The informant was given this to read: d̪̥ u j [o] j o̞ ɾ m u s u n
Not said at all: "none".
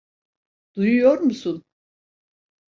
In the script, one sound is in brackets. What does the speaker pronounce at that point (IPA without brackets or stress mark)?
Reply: u